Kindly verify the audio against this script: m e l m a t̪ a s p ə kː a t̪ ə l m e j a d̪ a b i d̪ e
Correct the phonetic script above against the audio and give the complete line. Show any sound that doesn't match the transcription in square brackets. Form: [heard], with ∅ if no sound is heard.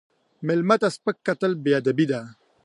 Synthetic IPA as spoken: m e l m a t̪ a s p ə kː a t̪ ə l [b] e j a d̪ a b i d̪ [a]